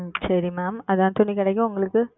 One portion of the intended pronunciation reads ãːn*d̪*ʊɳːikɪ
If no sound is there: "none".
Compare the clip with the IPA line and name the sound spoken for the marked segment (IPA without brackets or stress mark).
t̪